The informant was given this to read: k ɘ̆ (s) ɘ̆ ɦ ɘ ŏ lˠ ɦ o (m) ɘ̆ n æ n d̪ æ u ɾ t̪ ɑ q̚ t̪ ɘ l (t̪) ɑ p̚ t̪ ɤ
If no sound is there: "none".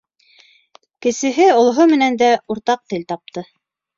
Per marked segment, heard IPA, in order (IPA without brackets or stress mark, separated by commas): s, m, t̪